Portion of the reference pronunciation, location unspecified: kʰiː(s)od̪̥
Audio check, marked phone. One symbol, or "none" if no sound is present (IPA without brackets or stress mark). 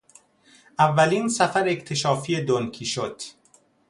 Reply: ʃ